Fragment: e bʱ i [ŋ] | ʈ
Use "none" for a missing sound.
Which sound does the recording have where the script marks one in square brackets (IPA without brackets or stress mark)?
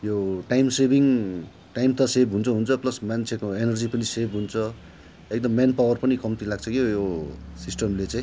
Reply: ŋ